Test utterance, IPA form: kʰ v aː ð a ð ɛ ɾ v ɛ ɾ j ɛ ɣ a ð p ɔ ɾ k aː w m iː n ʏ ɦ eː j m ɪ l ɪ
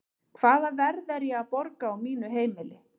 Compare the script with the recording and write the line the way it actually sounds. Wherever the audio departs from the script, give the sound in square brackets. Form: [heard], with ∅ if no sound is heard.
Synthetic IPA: kʰ v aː ð a [v] ɛ ɾ [ð] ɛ ɾ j ɛ ɣ a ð p ɔ ɾ k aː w m iː n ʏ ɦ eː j m ɪ l ɪ